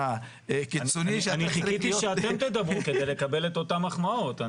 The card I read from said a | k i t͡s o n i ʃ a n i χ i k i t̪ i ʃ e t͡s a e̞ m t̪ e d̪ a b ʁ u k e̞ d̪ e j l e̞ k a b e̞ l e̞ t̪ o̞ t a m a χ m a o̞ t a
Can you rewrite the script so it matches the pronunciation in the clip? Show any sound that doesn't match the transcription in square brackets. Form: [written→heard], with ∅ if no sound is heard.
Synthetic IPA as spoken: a | k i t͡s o n i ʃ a n i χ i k i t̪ i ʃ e [t͡s→∅] a e̞ m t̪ e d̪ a b ʁ u k e̞ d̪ e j l e̞ k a b e̞ l e̞ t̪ o̞ t a m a χ m a o̞ t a